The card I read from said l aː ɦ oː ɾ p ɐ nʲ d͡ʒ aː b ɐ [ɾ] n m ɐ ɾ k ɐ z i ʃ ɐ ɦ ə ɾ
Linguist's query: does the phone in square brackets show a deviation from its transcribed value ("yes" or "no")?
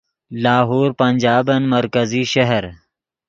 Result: yes